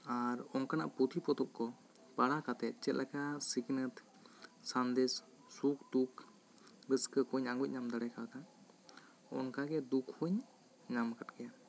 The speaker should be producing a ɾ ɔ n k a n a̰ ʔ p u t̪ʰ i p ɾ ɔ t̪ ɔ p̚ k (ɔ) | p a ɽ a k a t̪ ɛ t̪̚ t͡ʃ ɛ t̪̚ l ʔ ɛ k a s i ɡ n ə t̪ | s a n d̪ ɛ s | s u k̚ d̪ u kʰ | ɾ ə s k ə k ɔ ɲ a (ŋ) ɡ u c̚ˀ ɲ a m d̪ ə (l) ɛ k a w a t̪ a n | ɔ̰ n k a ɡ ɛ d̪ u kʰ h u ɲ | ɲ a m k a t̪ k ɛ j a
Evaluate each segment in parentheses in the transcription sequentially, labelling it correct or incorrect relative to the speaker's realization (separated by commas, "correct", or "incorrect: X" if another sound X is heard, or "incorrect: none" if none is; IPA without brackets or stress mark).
correct, correct, incorrect: ɽ